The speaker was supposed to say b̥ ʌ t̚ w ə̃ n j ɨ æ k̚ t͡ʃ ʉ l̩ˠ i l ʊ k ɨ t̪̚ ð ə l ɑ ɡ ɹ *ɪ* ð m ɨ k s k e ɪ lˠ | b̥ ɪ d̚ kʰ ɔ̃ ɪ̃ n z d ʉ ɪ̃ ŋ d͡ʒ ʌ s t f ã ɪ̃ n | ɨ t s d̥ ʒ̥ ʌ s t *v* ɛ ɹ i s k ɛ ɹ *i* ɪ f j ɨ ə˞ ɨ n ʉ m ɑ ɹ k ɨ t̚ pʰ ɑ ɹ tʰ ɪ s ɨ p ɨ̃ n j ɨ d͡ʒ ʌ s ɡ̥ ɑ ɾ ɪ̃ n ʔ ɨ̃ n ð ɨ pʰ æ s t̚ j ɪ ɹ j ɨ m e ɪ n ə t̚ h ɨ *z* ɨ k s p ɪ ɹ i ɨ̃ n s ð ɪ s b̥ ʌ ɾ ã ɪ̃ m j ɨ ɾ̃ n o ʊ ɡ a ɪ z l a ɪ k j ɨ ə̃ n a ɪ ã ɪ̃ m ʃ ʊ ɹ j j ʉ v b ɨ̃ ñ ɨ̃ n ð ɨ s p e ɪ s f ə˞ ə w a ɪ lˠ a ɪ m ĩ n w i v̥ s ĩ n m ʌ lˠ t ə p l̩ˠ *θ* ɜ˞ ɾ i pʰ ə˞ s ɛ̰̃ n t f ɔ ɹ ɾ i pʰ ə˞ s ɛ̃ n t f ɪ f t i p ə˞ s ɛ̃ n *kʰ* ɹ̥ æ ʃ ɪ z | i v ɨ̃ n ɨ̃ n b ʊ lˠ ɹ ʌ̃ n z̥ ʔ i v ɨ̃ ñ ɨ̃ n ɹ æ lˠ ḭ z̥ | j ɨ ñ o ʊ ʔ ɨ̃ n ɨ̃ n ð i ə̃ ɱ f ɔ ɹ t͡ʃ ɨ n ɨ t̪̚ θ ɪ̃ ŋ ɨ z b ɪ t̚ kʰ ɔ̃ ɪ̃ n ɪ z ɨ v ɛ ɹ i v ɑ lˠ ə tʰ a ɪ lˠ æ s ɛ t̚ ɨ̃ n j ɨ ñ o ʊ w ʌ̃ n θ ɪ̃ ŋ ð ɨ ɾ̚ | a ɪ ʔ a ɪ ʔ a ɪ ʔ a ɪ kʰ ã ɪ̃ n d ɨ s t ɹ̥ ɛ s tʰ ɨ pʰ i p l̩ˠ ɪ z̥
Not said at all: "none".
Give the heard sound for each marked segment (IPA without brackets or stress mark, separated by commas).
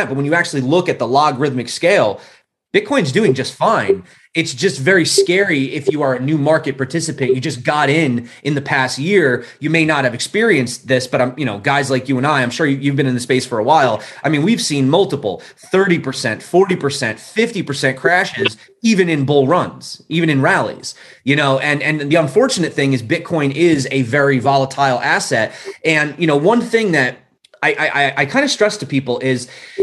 ɪ, v, i, v, θ, kʰ